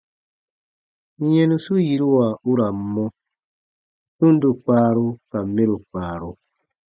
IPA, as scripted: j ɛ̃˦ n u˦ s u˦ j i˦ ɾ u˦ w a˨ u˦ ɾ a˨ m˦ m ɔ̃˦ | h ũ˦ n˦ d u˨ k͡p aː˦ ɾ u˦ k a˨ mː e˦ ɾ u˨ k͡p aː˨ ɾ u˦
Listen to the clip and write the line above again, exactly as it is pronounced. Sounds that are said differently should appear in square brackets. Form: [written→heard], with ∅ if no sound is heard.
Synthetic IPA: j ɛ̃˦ n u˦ s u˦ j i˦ ɾ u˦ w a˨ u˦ ɾ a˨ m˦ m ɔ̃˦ | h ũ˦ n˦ d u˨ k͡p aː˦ ɾ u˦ k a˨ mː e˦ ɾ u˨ k͡p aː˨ ɾ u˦